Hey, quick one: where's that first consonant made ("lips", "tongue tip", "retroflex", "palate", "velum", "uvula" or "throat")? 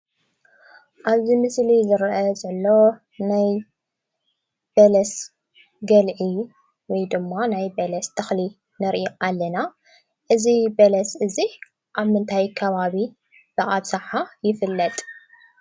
throat